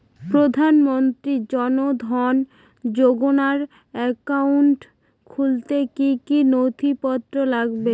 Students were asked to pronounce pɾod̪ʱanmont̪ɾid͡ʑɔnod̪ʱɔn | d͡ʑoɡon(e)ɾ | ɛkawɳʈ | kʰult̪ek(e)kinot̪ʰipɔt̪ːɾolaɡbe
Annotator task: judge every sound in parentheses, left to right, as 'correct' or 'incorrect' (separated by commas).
incorrect, incorrect